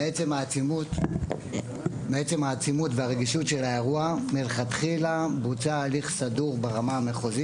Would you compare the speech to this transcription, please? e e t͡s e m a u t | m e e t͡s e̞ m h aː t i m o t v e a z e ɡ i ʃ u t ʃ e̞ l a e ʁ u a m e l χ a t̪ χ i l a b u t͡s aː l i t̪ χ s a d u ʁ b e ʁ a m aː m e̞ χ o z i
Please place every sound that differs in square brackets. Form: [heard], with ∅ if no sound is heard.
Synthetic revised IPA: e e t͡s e m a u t | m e e t͡s e̞ m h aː [t͡s] i m [u] t v e a [ʁ] e ɡ i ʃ u t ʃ e̞ l a e ʁ u a m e l χ a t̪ χ i l a b u t͡s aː l i [∅] χ s a d u ʁ b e ʁ a m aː m e̞ χ o z i